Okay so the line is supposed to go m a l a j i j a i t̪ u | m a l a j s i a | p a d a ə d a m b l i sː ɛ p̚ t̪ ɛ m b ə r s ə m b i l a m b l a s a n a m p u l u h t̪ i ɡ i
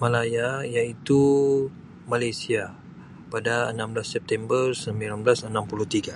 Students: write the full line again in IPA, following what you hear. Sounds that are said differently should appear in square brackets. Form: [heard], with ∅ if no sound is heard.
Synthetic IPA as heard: m a l a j [a] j a i t̪ u | m a l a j s i a | p a d a ə [n] a m b l [a] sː ɛ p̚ t̪ ɛ m b ə r s ə m b i l a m b l a s [ə] n a m p u l u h t̪ i ɡ [a]